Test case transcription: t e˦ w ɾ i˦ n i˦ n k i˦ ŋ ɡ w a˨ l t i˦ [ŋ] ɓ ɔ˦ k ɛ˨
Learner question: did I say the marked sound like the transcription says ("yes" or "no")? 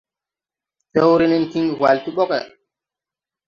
no